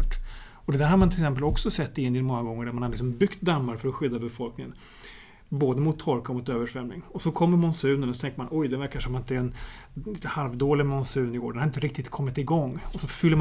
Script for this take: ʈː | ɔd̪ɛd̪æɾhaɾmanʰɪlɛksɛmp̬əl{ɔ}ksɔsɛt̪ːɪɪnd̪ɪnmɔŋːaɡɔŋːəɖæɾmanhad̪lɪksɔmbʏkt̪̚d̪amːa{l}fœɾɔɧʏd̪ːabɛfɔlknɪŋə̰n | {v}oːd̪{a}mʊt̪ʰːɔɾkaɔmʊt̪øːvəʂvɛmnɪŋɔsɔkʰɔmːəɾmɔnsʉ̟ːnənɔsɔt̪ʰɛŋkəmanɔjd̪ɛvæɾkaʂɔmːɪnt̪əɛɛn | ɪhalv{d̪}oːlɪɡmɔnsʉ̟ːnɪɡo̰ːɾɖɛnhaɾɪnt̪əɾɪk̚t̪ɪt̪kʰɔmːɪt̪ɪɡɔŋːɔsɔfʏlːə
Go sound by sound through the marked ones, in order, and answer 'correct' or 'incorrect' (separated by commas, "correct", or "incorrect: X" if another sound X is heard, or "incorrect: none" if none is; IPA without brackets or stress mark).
correct, incorrect: ɾ, incorrect: b, incorrect: ə, correct